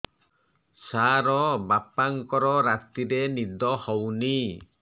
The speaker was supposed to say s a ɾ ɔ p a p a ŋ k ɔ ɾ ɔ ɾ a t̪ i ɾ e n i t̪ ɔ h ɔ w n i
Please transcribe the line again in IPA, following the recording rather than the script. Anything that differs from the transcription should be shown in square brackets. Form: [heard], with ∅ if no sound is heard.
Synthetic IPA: s a ɾ ɔ [b] a p a ŋ k ɔ ɾ ɔ ɾ a t̪ i ɾ e n i [d̪] ɔ h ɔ w n i